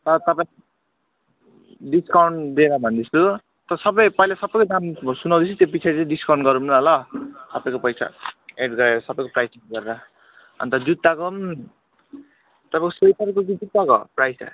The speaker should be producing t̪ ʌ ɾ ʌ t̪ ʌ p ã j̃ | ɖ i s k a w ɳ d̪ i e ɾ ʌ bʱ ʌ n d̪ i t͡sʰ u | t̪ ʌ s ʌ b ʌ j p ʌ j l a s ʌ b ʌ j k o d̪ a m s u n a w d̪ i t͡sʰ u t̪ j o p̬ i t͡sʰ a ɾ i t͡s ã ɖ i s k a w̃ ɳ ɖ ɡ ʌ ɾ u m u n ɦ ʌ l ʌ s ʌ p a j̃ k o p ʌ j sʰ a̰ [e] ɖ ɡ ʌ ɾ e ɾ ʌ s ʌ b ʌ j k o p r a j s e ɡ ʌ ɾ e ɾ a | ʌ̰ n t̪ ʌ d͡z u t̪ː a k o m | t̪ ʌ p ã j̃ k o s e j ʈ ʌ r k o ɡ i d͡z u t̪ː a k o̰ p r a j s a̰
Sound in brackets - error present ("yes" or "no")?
no